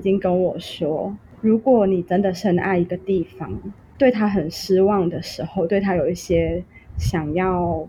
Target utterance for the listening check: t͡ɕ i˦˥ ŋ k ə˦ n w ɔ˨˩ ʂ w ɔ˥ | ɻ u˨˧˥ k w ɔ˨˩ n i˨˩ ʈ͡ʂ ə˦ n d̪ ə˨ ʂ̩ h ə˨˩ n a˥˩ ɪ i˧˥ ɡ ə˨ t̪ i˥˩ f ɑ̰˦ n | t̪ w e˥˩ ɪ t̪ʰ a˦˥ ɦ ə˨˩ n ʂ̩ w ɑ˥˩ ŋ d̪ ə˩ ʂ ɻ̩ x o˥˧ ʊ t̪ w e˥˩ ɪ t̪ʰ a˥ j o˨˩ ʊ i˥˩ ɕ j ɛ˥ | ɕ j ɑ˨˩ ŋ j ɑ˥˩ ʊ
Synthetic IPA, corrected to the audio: t͡ɕ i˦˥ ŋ k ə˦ n w ɔ˨˩ ʂ w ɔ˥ | ɻ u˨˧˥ k w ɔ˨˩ n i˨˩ ʈ͡ʂ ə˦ n d̪ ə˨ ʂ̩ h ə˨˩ n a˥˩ ɪ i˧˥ ɡ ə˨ t̪ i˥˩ f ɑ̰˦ ŋ | t̪ w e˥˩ ɪ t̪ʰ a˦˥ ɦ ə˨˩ n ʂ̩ w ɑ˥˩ ŋ d̪ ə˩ ʂ ɻ̩ x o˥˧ ʊ t̪ w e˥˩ ɪ t̪ʰ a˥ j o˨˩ ʊ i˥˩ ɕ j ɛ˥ | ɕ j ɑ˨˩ ŋ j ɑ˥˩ ʊ